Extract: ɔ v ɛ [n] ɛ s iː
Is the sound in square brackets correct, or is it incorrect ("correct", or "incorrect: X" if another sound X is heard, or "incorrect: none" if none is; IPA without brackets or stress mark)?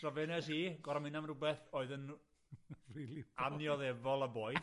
correct